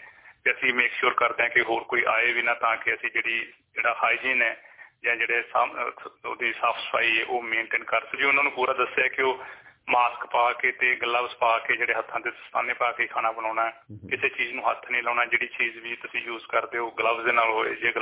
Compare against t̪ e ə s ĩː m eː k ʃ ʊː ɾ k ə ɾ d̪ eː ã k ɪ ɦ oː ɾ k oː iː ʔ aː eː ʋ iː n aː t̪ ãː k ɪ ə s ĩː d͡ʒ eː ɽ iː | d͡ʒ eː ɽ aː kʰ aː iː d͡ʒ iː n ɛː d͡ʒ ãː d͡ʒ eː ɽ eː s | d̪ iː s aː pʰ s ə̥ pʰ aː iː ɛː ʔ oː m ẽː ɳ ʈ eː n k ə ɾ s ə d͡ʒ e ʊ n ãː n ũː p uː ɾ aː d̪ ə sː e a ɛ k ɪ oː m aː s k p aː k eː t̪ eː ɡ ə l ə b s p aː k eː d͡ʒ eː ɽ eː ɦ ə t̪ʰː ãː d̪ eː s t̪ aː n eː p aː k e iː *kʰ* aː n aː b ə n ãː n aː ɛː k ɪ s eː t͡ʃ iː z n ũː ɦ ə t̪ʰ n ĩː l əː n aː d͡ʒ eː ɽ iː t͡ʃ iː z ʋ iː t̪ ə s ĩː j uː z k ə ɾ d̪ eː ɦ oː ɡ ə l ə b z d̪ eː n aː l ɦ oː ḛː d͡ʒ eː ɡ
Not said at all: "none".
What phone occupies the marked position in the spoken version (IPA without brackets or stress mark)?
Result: kʰ